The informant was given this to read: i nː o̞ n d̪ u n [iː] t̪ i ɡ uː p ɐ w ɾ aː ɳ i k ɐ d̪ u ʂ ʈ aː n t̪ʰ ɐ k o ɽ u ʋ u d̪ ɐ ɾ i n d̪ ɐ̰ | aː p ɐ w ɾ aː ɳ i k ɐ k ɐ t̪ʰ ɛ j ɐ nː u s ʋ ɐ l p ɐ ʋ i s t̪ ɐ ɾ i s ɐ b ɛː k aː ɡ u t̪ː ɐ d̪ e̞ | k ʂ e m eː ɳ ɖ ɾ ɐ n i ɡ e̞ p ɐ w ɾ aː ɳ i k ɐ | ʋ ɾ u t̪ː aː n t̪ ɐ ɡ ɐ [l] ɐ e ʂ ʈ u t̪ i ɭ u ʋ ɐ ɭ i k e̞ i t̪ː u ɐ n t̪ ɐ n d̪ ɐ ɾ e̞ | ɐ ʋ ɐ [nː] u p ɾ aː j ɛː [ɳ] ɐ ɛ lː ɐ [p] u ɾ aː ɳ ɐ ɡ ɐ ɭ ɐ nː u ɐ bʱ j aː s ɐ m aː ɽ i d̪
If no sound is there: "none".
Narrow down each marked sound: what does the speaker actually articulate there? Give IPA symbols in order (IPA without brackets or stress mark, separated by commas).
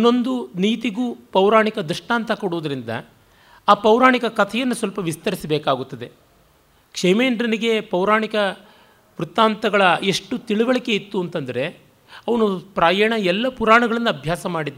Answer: iː, ɭ, n, ɳ, p